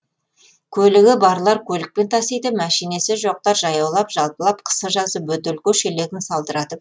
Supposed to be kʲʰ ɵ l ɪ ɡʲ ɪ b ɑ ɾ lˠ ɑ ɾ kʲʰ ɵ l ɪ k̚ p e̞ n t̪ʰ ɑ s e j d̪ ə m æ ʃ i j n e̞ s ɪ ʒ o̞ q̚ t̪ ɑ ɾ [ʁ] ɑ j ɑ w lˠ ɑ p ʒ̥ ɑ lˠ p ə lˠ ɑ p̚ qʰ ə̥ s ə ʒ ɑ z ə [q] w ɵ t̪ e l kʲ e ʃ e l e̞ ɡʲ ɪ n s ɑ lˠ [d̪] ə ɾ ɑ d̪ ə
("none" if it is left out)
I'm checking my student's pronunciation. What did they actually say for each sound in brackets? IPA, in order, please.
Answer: ʒ, p, d̪

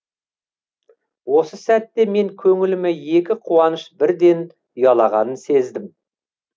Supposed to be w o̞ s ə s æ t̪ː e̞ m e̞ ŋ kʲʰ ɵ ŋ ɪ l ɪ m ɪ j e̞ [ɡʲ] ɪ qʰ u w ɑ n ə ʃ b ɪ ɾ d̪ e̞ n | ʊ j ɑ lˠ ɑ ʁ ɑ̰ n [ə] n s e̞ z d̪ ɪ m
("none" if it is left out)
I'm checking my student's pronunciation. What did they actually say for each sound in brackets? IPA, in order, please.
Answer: kʲ, ə

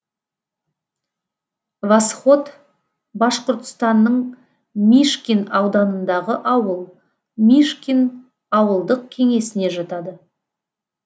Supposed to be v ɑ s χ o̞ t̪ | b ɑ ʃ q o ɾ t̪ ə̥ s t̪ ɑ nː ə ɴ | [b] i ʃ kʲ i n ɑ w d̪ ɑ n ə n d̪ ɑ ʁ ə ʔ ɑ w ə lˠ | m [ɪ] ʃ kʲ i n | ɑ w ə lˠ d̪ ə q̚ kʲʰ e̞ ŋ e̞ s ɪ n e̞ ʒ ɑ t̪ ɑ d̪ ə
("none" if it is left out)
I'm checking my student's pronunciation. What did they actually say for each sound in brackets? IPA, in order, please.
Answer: m, i

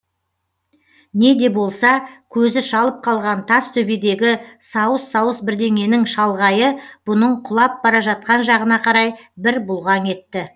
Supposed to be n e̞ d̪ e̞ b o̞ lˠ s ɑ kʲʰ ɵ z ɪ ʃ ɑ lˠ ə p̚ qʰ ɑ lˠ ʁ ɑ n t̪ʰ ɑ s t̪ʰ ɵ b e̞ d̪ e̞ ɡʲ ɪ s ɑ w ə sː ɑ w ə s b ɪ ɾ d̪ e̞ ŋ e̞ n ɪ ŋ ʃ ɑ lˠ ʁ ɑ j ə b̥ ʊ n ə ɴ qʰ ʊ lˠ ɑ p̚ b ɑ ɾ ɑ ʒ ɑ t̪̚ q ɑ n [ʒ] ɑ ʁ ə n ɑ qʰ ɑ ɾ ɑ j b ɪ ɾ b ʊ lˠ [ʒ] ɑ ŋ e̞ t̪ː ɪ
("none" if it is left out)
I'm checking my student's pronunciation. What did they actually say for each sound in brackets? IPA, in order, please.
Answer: ʒ, ʁ

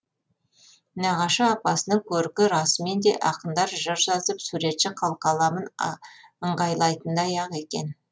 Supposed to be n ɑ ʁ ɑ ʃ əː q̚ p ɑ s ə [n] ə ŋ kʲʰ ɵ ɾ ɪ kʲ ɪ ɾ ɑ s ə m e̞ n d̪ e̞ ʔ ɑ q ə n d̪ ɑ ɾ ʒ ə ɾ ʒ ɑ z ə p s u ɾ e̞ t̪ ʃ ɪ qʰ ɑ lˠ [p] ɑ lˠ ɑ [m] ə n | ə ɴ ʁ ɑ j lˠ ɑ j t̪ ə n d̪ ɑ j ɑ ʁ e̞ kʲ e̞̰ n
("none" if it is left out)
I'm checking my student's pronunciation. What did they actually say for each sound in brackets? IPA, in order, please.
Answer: n, q, m

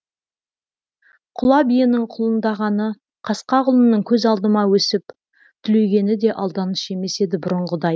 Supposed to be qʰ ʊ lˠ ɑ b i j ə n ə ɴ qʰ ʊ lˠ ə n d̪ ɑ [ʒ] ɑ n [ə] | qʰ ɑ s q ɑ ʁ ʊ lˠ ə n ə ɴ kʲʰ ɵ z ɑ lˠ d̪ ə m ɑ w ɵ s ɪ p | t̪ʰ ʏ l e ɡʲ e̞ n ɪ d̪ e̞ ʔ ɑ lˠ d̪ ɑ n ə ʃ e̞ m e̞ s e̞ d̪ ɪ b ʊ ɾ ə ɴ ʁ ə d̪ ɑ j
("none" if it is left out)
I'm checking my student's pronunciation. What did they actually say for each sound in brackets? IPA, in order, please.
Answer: ʁ, ə

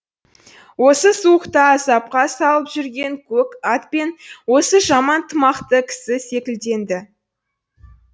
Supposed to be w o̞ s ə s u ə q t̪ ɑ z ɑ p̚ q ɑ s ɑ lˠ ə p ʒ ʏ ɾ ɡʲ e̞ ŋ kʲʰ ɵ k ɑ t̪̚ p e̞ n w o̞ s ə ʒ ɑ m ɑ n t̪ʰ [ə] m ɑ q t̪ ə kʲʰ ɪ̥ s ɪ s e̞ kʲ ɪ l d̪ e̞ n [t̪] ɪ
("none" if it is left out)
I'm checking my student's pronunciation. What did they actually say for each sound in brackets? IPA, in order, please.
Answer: ə, d̪

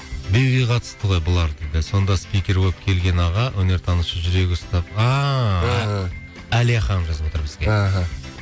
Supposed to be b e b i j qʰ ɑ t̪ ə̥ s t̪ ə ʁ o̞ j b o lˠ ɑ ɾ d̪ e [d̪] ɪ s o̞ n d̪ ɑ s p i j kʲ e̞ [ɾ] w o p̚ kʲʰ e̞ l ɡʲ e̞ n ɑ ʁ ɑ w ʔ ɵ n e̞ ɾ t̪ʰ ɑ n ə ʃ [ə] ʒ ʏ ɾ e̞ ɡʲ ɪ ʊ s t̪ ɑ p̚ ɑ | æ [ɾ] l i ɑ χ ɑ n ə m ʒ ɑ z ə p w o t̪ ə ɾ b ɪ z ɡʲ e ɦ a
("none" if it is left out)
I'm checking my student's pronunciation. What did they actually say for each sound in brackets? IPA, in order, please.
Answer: d̪, ɾ, ə, none

